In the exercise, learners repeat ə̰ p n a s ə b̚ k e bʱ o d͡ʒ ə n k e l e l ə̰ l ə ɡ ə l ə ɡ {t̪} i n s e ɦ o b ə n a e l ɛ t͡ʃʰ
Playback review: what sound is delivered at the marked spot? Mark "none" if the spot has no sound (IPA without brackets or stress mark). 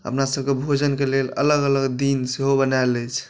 d̪